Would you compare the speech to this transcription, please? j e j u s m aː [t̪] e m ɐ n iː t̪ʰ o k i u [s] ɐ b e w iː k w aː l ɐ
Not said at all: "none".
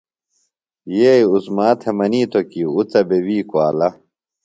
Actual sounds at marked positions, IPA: t̪ʰ, t͡s

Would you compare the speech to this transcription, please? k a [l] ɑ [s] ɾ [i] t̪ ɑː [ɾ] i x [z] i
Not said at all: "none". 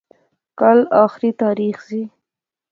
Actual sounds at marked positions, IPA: l, x, i, ɾ, z

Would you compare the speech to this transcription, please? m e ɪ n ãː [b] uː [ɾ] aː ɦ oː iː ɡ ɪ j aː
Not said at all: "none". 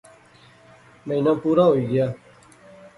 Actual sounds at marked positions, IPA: p, ɾ

